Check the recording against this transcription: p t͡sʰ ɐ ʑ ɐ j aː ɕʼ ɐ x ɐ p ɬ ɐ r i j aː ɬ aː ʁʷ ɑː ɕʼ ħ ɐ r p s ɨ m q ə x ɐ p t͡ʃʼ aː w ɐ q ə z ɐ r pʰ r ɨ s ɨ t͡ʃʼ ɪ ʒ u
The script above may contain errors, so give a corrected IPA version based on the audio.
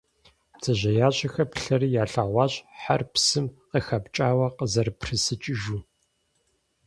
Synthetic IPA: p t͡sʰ ɐ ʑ ɐ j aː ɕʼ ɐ x ɐ p ɬ ɐ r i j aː ɬ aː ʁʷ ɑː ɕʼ ħ a r p s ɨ m q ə x ɐ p t͡ʃʼ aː w ɐ q ə z ɐ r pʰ r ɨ s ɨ t͡ʃʼ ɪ ʒ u